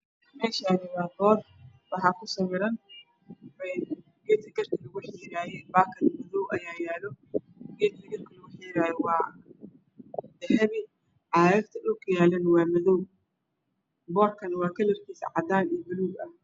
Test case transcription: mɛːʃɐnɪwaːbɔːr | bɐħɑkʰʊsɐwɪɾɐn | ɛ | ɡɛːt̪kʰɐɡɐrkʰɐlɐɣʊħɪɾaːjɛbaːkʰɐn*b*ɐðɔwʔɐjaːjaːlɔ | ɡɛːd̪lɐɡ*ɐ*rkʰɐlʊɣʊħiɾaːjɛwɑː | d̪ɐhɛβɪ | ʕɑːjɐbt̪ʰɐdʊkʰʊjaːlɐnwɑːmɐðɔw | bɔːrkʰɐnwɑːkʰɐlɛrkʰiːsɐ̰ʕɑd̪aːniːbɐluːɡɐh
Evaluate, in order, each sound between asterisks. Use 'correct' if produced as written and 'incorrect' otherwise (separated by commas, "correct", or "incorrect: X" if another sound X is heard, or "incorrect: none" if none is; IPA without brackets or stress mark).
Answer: incorrect: m, correct